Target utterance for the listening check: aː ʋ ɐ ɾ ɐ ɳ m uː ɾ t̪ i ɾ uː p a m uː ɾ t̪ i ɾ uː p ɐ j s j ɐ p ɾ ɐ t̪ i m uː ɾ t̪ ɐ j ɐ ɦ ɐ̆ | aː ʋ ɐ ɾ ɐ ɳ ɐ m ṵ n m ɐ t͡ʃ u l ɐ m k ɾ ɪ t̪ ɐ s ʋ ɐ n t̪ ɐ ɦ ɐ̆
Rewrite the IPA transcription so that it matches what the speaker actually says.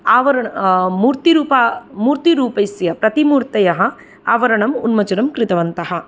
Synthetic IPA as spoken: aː ʋ ɐ ɾ ɐ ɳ m uː ɾ t̪ i ɾ uː p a m uː ɾ t̪ i ɾ uː p ɐ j s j ɐ p ɾ ɐ t̪ i m uː ɾ t̪ ɐ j ɐ ɦ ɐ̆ | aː ʋ ɐ ɾ ɐ ɳ ɐ m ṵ n m ɐ t͡ʃ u ɾ ɐ m k ɾ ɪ t̪ ɐ ʋ ɐ n t̪ ɐ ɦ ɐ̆